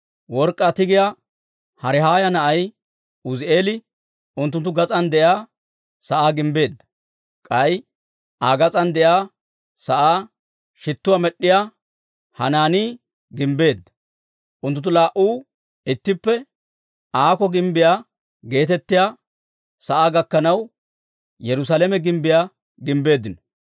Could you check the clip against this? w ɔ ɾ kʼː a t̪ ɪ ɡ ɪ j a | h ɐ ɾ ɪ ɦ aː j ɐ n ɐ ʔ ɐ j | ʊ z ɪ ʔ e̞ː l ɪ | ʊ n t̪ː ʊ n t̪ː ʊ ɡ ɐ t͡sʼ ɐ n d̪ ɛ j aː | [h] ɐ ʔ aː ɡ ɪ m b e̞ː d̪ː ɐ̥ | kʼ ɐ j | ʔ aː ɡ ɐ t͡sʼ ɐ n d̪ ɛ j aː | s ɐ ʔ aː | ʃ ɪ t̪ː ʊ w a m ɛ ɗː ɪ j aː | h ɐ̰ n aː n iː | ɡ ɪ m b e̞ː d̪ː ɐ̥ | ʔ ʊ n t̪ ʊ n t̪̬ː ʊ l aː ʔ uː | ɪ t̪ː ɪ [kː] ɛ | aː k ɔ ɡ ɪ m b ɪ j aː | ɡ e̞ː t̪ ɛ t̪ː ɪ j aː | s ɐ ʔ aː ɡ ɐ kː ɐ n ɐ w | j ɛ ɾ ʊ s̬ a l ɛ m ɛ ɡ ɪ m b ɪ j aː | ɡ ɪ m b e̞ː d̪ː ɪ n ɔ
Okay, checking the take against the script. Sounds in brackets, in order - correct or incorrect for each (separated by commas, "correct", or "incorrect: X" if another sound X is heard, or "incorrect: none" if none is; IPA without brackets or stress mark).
incorrect: s, incorrect: pː